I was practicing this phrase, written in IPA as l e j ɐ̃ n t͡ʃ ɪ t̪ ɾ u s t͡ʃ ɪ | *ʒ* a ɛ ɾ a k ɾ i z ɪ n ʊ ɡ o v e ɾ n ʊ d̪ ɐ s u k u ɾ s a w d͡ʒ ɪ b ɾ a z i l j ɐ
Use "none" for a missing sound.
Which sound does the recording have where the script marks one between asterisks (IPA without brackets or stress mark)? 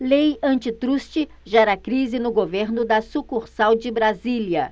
ʒ